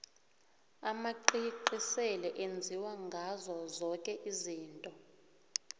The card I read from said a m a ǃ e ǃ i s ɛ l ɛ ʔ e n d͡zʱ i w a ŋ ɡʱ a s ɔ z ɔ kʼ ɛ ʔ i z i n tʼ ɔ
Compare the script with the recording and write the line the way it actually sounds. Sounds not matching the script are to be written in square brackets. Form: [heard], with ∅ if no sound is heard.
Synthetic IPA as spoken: a m a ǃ [i] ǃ i s ɛ l ɛ ʔ e n d͡zʱ i w a ŋ ɡʱ a [z] ɔ z ɔ kʼ ɛ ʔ i z [iː] n tʼ ɔ